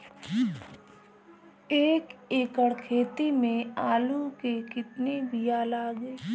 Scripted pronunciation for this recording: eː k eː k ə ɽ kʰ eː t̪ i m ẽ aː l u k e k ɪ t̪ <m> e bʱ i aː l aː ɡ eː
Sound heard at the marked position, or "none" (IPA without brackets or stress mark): n